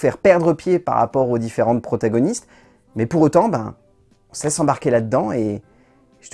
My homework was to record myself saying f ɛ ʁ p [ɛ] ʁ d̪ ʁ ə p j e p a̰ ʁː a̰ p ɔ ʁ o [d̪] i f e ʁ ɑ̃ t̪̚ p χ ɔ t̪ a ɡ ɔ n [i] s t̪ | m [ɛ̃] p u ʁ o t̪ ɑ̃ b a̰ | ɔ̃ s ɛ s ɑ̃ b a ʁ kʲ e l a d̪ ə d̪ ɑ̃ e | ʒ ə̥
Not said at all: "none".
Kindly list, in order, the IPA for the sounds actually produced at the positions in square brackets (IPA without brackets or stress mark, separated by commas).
ɛ, d̪, i, ɛ